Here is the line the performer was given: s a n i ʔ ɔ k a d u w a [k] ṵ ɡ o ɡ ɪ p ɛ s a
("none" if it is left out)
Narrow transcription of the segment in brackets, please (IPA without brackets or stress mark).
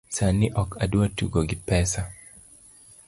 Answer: t